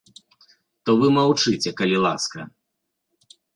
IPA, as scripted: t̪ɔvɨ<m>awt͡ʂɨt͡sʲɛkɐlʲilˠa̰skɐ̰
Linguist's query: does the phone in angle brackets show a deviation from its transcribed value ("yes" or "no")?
no